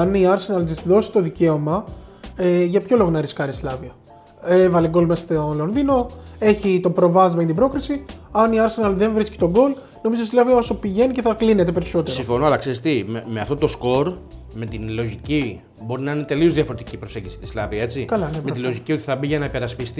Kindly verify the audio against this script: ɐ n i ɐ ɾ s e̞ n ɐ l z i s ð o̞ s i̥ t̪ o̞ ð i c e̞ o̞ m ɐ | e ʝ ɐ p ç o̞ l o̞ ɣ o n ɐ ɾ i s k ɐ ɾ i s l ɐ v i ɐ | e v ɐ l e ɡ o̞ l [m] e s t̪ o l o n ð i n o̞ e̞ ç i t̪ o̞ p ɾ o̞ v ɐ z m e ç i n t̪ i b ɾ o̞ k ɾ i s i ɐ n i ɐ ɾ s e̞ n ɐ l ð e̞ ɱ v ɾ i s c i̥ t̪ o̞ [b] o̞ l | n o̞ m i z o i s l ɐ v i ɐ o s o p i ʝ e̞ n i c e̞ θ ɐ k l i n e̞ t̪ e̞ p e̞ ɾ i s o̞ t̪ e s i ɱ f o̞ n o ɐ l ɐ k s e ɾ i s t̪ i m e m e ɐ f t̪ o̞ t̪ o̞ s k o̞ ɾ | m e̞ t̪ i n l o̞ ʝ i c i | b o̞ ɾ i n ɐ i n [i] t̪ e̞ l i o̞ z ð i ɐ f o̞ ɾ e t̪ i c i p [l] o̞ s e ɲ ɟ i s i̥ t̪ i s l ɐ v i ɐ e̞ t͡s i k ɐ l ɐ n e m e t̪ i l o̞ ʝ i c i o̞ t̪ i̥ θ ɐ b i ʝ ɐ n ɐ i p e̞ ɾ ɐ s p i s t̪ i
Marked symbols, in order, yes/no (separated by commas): yes, no, no, no